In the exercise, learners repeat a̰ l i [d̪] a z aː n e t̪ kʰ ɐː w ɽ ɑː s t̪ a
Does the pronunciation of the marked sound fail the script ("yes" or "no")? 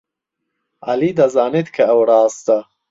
no